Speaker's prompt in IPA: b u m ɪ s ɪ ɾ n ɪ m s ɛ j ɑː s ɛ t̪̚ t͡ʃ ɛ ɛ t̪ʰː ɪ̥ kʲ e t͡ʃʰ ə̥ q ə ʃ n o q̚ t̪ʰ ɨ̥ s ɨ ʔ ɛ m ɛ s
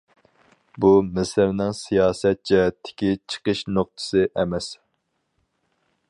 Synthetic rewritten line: b u m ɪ s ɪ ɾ n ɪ ŋ s i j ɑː s ɛ t̪̚ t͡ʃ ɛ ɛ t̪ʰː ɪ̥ kʲ i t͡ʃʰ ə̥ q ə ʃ n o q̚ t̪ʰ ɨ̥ s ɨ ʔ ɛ m ɛ s